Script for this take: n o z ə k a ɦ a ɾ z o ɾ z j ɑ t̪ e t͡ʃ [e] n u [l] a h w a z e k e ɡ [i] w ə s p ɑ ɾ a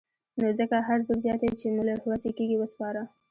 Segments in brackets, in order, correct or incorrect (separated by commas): correct, correct, correct